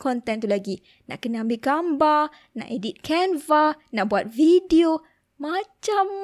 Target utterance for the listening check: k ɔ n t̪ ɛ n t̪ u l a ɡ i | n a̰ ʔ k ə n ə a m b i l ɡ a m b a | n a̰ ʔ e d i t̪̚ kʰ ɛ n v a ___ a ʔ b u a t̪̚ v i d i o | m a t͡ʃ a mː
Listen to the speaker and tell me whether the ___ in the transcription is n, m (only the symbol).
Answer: n